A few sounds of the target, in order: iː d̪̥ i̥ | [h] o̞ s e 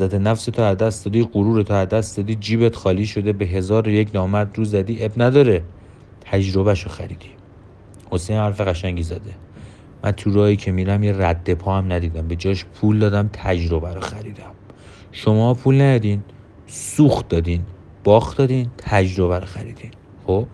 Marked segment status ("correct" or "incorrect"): correct